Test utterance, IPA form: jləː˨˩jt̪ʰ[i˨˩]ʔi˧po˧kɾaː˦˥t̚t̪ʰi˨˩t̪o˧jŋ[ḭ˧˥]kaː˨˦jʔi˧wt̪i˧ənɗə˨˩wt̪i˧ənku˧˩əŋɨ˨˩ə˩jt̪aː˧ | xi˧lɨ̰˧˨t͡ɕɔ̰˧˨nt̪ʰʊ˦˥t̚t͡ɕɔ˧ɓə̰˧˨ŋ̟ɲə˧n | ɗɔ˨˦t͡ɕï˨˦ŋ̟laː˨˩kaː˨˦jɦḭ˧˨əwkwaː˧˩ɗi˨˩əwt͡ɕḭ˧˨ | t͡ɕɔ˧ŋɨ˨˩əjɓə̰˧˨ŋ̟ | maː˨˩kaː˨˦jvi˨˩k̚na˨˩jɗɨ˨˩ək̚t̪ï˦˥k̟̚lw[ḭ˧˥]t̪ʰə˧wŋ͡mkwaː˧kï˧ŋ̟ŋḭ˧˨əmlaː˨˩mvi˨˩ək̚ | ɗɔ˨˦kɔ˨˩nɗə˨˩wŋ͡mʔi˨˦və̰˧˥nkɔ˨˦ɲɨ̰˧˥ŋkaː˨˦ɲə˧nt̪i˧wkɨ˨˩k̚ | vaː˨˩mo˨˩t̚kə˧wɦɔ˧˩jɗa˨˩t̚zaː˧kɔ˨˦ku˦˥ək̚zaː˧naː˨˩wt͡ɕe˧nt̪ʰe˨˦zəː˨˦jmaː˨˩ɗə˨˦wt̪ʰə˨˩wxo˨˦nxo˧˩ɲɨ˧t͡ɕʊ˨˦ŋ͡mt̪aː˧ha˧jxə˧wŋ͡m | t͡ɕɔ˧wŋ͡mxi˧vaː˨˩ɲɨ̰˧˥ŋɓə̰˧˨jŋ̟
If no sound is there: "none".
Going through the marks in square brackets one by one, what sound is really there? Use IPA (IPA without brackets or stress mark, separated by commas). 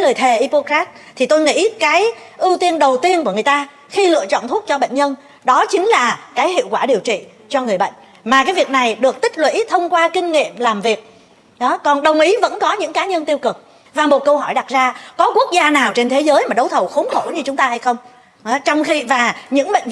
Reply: e˨˩, ḭ˧˥, ḭ˧˥